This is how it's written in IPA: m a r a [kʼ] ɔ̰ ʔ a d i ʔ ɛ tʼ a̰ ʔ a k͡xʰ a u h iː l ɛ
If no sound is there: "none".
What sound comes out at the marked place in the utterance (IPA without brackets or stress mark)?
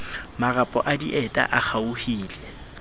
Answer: pʼ